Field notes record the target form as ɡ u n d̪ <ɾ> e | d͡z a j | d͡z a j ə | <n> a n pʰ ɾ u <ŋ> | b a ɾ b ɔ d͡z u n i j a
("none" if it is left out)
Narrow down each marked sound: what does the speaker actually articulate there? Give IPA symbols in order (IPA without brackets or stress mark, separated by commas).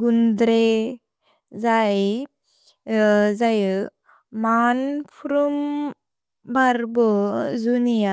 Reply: ɾ, m, m